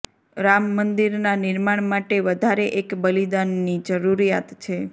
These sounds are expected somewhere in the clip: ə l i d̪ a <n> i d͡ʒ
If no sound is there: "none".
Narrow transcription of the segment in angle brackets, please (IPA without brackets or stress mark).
nː